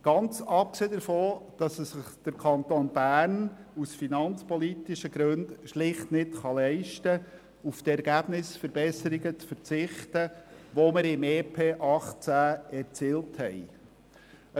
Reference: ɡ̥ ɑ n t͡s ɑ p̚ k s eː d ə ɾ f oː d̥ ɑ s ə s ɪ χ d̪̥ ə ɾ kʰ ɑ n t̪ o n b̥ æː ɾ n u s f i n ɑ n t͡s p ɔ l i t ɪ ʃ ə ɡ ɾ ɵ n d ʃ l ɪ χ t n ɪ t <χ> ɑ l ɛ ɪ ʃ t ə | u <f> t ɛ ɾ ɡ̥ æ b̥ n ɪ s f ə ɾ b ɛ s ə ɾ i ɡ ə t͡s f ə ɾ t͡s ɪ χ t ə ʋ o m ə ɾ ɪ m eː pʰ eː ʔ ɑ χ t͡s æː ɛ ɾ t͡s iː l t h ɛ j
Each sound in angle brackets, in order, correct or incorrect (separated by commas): correct, correct